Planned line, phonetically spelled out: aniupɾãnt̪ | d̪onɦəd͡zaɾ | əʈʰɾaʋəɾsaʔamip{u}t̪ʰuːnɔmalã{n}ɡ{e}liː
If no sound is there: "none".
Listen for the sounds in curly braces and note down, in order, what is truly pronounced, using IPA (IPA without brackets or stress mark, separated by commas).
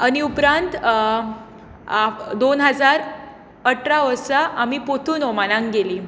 o, ŋ, e